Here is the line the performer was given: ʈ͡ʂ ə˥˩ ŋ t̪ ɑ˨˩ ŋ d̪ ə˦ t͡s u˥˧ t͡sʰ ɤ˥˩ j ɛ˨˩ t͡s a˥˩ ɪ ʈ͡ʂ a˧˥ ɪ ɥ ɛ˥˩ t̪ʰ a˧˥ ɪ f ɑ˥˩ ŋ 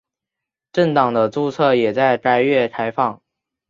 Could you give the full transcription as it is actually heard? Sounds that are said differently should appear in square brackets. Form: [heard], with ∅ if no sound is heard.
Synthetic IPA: ʈ͡ʂ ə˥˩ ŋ t̪ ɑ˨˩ ŋ d̪ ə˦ t͡s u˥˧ t͡sʰ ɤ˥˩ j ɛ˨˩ t͡s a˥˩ ɪ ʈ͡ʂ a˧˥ ɪ ɥ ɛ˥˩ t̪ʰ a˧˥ ɪ f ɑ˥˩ ŋ